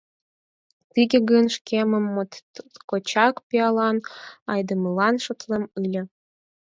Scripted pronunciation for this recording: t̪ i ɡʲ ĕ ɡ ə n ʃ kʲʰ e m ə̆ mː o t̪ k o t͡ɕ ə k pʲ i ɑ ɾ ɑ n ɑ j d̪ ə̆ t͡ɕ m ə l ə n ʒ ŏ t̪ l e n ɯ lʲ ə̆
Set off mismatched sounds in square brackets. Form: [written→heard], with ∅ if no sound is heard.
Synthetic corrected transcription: t̪ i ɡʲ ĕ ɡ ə n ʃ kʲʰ e m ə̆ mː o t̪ k o t͡ɕ [ə→ɑ] k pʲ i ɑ [ɾ→l] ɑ n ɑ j d̪ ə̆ [t͡ɕ→∅] m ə l [ə→ɑ] n [ʒ→ʃ] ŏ t̪ l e [n→m] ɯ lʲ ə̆